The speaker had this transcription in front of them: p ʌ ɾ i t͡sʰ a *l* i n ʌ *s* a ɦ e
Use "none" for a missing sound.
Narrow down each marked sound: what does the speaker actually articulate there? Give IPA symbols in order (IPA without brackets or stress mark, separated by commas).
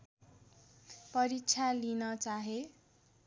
l, t͡s